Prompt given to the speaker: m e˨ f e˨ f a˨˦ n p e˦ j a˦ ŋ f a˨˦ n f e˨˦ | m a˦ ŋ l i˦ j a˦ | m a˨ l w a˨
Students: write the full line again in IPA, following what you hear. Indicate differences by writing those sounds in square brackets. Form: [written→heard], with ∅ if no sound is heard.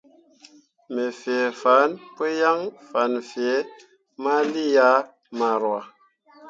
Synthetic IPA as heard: m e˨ f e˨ f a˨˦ n p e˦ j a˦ ŋ f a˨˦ n f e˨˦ | m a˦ [ŋ→∅] l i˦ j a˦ | m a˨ [l→ɾ] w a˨

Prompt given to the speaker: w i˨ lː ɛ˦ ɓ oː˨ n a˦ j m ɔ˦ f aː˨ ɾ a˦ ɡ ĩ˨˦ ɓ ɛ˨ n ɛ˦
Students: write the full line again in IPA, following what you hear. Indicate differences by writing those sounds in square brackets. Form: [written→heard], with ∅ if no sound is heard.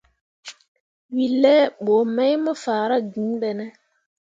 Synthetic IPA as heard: w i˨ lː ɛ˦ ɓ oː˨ [n→m] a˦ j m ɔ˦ f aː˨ ɾ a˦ ɡ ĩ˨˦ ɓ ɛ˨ n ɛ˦

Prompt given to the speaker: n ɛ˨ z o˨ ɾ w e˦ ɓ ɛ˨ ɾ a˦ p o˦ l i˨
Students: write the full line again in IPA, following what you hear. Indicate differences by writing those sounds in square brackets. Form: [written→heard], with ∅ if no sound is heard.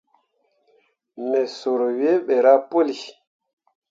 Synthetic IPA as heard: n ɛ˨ [z→s] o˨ ɾ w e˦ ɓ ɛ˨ ɾ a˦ p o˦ l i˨

